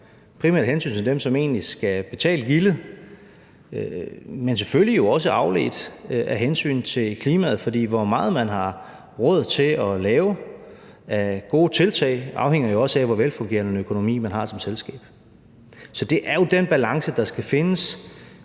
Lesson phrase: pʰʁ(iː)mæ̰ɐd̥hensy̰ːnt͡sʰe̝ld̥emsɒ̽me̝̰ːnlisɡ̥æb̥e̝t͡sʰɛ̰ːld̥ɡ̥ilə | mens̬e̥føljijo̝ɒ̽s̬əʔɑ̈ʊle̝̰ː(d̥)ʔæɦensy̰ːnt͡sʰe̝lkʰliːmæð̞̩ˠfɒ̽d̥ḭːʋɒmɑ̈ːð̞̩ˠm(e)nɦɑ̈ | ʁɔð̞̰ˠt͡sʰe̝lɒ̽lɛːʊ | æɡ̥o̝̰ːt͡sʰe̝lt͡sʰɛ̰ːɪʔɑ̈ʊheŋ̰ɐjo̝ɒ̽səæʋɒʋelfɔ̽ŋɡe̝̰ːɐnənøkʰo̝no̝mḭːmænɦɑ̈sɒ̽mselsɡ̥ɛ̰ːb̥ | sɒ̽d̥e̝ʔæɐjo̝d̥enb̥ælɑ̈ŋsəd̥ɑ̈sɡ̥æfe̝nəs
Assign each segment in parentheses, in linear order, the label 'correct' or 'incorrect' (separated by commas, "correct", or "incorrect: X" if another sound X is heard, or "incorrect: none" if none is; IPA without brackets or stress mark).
incorrect: i, correct, incorrect: æ